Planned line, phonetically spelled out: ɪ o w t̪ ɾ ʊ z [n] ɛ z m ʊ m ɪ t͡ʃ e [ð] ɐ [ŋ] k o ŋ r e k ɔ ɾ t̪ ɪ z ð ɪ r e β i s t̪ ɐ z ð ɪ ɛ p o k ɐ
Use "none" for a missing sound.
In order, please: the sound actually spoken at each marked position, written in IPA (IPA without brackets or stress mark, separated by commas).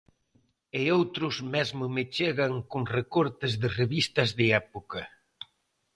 m, ɣ, ŋ